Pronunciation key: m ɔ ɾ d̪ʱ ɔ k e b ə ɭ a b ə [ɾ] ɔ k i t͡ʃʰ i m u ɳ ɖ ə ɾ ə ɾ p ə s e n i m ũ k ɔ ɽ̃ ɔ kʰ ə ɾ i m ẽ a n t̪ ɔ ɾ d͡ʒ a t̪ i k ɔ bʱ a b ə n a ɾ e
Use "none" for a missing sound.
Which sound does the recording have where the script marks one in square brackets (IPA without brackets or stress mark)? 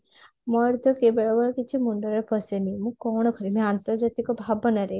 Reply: ɭ